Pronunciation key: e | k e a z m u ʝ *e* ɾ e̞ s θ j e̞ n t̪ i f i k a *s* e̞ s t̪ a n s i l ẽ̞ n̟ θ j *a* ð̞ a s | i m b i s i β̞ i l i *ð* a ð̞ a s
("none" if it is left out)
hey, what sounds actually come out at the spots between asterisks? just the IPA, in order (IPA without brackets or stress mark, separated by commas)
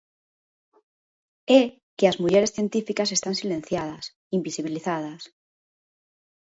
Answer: e, s, a, θ